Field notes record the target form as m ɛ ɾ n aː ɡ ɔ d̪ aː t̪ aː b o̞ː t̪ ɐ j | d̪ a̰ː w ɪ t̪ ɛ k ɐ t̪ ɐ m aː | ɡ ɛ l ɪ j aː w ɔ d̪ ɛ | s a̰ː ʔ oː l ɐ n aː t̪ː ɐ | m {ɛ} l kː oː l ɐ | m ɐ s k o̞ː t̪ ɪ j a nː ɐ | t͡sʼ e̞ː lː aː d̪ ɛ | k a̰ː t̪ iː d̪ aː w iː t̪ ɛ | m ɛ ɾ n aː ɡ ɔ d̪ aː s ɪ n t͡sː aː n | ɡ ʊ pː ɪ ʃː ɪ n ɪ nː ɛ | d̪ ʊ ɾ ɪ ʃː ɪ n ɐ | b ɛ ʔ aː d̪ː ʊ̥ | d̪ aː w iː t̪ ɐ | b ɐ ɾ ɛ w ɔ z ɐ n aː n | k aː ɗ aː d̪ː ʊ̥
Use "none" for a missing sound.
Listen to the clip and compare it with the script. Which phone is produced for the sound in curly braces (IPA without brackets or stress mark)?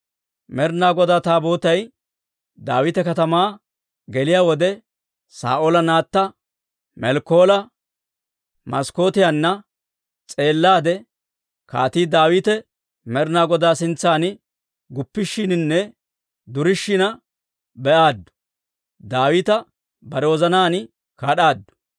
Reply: ɛ